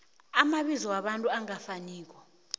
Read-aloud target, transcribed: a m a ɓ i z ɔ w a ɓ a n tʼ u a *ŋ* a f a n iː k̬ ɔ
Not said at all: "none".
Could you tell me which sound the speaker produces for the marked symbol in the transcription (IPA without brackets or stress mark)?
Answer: ŋ